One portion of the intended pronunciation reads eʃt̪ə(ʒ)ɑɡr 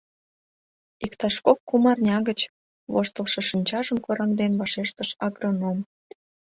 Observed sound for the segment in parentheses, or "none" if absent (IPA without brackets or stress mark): ʃ